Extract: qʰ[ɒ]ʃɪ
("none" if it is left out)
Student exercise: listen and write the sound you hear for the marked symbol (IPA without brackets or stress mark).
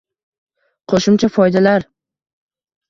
o